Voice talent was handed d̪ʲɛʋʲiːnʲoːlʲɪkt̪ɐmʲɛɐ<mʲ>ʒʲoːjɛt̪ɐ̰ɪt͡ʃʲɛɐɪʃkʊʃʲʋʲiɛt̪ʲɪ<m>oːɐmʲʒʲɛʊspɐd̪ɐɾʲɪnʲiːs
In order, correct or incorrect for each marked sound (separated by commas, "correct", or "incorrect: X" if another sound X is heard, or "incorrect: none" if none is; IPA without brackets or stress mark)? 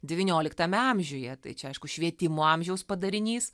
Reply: correct, correct